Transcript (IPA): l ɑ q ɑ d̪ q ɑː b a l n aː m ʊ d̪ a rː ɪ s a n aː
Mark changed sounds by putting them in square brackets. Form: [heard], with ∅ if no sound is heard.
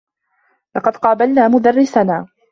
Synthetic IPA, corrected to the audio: l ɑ q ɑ d̪ q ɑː b a l n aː m ʊ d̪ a rː ɪ s a n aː

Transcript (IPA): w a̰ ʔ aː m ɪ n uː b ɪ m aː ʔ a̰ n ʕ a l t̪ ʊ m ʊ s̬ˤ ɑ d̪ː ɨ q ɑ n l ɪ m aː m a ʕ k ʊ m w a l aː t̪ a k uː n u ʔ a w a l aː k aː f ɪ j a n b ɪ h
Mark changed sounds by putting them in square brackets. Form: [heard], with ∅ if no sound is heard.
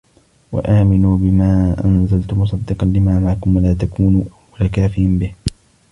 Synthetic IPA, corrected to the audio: w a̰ ʔ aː m ɪ n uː b ɪ m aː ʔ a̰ n [z] a l t̪ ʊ m ʊ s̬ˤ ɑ d̪ː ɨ q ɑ n l ɪ m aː m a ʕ k ʊ m w a l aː t̪ a k uː n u ʔ a w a l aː k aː f ɪ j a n b ɪ h

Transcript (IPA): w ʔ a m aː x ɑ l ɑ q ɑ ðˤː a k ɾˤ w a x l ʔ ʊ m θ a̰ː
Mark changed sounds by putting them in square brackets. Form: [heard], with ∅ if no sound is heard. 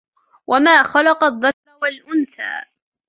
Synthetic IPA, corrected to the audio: w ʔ a m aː x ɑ l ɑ q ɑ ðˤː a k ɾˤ w a [∅] l ʔ ʊ [n] θ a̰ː

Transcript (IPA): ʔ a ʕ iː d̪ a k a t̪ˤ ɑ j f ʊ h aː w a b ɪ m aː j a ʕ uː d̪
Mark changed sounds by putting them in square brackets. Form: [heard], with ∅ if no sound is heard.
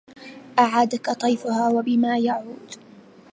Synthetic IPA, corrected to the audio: ʔ a ʕ [aː] d̪ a k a t̪ˤ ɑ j f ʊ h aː w a b ɪ m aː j a ʕ uː d̪

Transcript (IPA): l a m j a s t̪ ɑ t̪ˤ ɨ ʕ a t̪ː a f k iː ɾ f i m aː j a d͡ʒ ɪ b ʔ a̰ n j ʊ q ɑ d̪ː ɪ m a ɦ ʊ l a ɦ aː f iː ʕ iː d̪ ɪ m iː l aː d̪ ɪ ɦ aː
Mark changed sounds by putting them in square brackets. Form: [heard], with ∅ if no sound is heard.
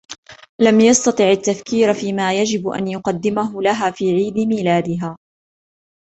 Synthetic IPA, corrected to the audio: l a m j [ɑ] s t̪ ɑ t̪ˤ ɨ ʕ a t̪ː a f k iː ɾ f [iː] m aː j a d͡ʒ ɪ b ʔ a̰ n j ʊ q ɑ d̪ː ɪ m a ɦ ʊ l a ɦ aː f iː ʕ iː d̪ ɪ m iː l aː d̪ ɪ ɦ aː

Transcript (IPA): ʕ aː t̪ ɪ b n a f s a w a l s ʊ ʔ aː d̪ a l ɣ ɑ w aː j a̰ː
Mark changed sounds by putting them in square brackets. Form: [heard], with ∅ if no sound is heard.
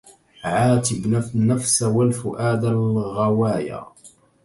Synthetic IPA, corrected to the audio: ʕ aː t̪ ɪ b n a f s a w a l [f] ʊ ʔ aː d̪ a l ɣ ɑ w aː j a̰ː

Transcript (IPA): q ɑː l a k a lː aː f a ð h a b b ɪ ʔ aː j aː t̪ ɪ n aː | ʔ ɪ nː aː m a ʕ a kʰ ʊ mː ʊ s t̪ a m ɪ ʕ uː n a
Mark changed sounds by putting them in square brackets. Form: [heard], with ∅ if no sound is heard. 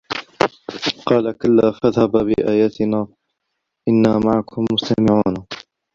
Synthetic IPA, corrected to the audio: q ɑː l a k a lː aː f a ð h a b b ɪ ʔ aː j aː t̪ ɪ n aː | ʔ ɪ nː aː m a ʕ a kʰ ʊ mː ʊ s t̪ a m ɪ ʕ uː n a

